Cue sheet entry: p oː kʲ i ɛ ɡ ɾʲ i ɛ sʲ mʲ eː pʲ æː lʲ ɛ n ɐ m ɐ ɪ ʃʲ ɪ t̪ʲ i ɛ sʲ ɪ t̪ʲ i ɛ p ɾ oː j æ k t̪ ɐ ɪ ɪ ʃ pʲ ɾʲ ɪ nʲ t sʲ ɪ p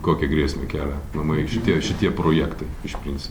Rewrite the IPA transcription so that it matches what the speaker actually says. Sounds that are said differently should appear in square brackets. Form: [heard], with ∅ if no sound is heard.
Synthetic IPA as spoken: [k] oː kʲ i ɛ ɡ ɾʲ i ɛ sʲ mʲ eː [kʲ] æː lʲ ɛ n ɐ m ɐ ɪ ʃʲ ɪ t̪ʲ i ɛ [ʃʲ] ɪ t̪ʲ i ɛ p ɾ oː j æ k t̪ ɐ ɪ ɪ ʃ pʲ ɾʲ ɪ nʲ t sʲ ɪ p